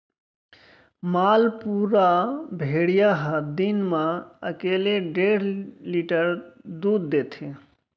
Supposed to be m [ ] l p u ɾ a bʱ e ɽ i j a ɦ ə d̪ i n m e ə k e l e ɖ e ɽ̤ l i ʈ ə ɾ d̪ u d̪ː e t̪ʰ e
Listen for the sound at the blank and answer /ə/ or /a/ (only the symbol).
a